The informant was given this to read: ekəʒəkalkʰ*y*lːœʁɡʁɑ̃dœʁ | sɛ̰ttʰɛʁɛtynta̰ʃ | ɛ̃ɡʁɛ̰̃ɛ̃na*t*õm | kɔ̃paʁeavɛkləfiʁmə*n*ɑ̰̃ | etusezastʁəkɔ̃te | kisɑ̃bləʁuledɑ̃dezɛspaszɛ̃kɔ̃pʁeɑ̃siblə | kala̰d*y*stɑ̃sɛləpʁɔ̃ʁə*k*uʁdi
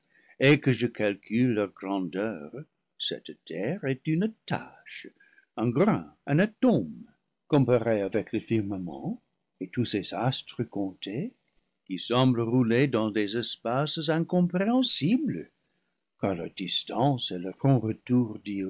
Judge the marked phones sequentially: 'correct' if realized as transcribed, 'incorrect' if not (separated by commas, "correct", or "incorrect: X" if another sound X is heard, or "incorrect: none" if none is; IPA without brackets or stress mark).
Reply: correct, correct, incorrect: m, incorrect: i, incorrect: t